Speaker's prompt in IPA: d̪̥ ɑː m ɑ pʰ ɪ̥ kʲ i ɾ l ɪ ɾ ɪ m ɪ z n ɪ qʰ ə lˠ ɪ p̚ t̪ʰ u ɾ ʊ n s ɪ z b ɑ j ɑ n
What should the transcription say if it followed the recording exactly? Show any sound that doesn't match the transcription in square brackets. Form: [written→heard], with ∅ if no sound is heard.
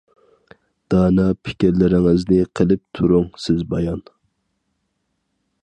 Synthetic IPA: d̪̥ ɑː [m→n] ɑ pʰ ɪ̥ kʲ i ɾ l ɪ ɾ ɪ [m→ŋ] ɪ z n ɪ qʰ ə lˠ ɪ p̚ t̪ʰ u ɾ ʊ [n→ŋ] s ɪ z b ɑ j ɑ n